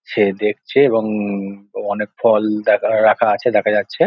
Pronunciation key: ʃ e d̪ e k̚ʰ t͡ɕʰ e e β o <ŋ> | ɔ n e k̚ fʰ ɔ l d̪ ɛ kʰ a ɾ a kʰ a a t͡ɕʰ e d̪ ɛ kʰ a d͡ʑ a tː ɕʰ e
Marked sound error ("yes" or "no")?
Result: no